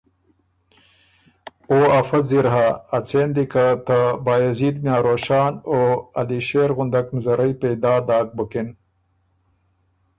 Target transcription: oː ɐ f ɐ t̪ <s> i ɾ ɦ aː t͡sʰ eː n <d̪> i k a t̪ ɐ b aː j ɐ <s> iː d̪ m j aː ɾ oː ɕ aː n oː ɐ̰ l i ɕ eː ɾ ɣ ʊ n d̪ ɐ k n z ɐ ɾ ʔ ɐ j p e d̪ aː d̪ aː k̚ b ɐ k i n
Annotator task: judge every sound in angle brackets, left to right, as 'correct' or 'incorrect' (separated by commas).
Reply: incorrect, correct, incorrect